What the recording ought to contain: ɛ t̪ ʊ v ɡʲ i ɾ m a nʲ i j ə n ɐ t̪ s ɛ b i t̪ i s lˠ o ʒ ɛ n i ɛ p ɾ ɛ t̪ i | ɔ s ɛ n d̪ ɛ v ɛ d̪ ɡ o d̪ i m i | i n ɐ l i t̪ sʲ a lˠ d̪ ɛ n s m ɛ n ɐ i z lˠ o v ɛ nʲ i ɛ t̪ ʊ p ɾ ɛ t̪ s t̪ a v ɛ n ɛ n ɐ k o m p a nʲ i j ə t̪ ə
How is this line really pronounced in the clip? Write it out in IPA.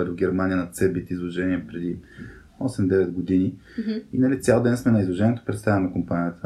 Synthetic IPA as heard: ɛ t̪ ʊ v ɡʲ ɛ ɾ m a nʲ i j ə n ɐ t̪ s ɛ b i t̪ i z lˠ o ʒ ɛ n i ɛ p ɾ ɛ d̪ i | ɔ s ɛ m d̪ ɛ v ɛ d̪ ɡ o d̪ i n i | i n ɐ l i t̪ sʲ a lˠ d̪ ɛ n s m ɛ n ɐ i z lˠ o ʒ ɛ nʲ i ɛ t̪ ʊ p ɾ ɛ t̪ s t̪ a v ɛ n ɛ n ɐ k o m p a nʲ i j ə t̪ ə